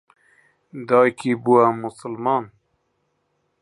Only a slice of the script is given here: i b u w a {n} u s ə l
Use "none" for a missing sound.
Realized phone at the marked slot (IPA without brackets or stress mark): m